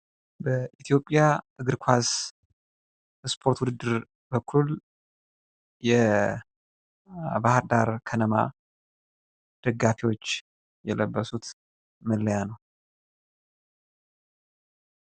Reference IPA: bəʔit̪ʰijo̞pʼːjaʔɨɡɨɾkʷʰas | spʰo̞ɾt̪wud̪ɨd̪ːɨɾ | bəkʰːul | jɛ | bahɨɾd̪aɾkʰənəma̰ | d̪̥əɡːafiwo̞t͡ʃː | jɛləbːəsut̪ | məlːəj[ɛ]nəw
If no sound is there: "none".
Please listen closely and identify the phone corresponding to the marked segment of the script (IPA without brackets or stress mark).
a